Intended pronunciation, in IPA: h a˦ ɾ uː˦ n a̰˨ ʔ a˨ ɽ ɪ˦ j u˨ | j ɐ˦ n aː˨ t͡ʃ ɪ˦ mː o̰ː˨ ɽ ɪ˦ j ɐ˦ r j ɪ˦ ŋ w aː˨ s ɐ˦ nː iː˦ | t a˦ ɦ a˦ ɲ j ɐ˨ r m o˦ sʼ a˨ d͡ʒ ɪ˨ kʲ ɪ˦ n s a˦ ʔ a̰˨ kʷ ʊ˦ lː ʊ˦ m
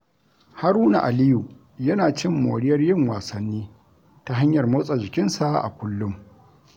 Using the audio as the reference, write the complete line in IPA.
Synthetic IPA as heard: h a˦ ɾ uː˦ n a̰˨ ʔ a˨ l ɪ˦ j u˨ | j ɐ˦ n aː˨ t͡ʃ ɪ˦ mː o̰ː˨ ɽ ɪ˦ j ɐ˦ r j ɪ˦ ŋ w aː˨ s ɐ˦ nː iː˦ | t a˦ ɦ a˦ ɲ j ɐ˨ r m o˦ sʼ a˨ d͡ʒ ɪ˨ kʲ ɪ˦ n s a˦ ʔ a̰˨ kʷ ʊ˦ lː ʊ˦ m